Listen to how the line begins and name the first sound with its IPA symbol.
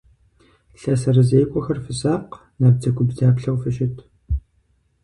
ɬ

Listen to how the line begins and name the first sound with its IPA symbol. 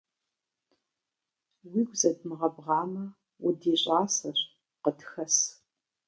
w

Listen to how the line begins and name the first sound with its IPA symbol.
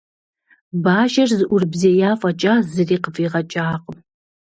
b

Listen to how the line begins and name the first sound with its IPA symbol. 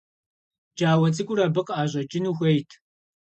d͡ʒ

